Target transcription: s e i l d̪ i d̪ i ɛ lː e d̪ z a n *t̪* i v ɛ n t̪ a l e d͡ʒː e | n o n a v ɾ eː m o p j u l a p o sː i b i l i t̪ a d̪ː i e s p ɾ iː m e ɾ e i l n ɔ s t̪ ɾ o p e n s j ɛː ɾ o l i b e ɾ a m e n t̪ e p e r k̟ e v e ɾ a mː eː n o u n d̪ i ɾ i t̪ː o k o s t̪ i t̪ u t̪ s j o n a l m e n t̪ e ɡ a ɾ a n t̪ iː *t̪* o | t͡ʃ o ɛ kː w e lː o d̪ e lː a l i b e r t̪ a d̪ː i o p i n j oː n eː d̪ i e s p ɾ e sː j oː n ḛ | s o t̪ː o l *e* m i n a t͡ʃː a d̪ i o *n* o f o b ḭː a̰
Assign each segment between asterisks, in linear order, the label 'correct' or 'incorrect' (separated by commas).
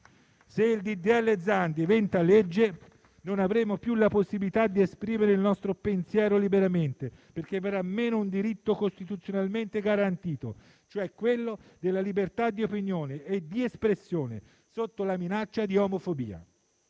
incorrect, correct, incorrect, incorrect